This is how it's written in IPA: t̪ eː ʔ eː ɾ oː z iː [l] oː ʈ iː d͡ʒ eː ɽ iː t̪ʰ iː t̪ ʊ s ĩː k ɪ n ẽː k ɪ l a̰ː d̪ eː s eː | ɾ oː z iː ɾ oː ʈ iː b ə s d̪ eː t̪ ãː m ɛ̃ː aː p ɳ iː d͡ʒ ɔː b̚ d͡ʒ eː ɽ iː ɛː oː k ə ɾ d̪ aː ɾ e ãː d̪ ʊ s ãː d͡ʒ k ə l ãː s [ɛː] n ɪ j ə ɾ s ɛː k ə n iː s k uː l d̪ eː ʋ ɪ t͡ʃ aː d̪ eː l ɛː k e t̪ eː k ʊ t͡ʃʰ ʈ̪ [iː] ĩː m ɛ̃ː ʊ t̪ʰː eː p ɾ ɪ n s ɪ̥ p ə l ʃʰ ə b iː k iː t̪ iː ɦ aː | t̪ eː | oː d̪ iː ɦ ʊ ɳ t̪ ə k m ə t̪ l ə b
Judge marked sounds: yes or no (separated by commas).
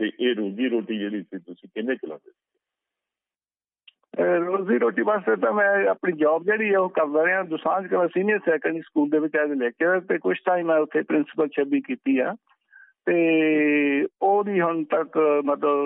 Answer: no, no, no